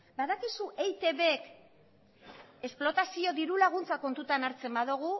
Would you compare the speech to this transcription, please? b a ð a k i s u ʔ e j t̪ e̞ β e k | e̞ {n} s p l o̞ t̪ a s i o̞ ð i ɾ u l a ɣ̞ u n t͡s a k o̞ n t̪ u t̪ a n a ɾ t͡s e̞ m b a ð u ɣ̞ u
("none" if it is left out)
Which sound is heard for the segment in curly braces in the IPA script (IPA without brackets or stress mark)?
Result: none